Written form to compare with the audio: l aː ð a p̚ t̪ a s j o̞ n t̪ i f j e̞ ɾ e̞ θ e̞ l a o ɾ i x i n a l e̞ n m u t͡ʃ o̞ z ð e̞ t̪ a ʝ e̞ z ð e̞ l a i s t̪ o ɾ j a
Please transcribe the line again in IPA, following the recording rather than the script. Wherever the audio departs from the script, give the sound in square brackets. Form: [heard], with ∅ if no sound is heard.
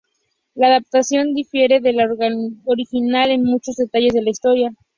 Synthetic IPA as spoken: l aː ð a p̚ t̪ a s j o̞ n [d̪] i f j e̞ ɾ e̞ [ð] e̞ l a o ɾ i x i n a l e̞ n m u t͡ʃ o̞ z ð e̞ t̪ a ʝ e̞ z ð e̞ l a i s t̪ o ɾ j a